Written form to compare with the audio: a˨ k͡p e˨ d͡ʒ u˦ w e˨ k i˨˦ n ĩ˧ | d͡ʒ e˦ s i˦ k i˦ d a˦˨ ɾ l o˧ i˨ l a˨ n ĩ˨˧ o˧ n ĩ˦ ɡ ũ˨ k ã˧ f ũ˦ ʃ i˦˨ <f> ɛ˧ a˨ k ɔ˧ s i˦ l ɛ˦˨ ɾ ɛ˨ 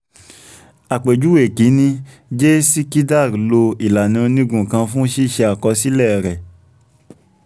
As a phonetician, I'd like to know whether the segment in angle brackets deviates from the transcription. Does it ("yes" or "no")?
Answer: yes